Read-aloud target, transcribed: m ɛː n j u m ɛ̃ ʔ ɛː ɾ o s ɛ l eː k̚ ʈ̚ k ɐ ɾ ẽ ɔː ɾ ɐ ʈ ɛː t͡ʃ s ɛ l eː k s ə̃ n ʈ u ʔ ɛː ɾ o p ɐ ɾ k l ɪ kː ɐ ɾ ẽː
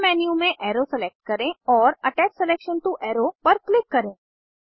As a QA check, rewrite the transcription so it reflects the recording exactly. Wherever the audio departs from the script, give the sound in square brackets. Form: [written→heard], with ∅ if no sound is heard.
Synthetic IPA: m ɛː n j u m [ɛ̃→ẽ] ʔ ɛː ɾ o s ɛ l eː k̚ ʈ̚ k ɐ ɾ ẽ ɔː ɾ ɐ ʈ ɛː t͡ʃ s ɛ l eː k [s→ʃ] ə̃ n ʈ u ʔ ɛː ɾ o p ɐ ɾ k l ɪ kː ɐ ɾ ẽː